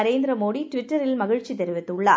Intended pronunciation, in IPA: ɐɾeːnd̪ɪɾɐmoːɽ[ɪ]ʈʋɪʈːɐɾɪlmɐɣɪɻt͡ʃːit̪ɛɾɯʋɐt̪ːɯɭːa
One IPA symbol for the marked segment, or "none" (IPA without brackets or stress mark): i